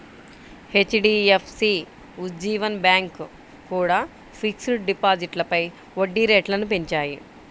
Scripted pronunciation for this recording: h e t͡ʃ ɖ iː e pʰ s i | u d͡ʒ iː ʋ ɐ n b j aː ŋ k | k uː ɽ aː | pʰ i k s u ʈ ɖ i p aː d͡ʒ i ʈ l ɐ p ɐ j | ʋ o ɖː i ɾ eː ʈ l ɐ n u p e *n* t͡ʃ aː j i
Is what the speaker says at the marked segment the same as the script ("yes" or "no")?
no